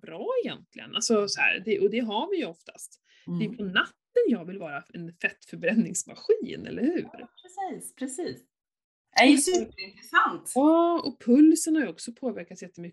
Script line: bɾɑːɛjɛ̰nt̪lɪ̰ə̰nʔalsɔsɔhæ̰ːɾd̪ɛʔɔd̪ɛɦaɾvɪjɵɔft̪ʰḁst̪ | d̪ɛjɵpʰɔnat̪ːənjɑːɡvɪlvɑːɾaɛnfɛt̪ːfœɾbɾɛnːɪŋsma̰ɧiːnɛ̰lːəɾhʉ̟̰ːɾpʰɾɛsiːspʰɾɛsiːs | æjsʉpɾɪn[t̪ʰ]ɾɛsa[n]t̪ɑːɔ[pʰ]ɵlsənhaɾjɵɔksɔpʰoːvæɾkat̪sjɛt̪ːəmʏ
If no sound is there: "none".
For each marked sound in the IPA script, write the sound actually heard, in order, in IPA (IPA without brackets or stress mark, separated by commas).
t̪, n, pʰ